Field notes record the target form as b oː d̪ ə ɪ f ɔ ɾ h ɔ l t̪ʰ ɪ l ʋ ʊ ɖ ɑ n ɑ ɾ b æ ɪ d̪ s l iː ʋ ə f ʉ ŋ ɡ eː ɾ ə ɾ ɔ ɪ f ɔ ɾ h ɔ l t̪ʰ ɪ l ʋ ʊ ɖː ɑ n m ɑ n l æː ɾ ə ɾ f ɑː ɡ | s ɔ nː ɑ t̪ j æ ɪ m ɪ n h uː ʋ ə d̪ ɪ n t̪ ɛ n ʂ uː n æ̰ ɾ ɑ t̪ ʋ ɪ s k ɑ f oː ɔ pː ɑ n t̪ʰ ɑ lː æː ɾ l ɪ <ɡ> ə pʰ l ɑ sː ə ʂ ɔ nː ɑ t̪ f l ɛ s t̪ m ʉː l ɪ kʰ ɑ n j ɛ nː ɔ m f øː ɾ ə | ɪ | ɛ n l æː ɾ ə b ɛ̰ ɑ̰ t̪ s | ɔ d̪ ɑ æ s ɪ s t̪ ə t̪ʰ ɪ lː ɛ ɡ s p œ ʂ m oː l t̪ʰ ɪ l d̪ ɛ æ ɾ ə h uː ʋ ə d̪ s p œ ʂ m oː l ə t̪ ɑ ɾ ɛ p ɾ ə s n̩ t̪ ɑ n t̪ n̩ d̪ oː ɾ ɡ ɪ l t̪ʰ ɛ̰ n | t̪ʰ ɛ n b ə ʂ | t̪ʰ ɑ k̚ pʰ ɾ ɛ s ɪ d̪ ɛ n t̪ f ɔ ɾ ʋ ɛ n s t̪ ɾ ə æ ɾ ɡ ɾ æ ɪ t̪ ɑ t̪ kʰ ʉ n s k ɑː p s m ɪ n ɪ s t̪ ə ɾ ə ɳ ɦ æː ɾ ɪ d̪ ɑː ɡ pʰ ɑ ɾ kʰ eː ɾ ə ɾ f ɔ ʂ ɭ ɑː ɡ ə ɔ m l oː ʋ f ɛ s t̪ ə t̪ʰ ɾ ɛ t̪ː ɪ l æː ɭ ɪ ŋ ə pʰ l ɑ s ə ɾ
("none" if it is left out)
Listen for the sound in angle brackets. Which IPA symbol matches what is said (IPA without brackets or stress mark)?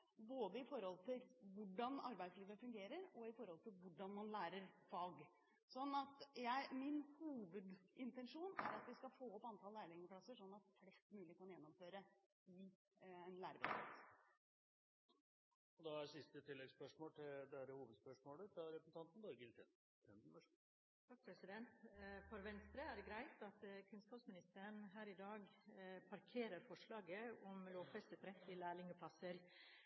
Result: ŋ